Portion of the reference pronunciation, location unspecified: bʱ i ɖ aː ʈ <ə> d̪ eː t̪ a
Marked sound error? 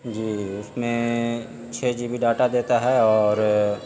yes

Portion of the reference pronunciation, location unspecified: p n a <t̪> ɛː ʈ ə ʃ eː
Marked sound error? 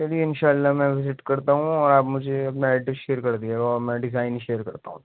yes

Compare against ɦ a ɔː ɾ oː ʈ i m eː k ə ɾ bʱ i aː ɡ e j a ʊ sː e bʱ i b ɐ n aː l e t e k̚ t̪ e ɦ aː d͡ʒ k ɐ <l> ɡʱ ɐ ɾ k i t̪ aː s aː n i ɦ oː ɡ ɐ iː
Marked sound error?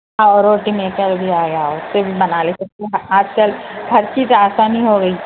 no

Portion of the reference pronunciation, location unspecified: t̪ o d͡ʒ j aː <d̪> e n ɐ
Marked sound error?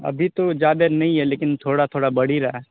no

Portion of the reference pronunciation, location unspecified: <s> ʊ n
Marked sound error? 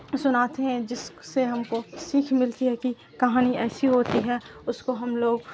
no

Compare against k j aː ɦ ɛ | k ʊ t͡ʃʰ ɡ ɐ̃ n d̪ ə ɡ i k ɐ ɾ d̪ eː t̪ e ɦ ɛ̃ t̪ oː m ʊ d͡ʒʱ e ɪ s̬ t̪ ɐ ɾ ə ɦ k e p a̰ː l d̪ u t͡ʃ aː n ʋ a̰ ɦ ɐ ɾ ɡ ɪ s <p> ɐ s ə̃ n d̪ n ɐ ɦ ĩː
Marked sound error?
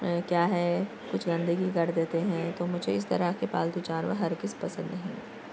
no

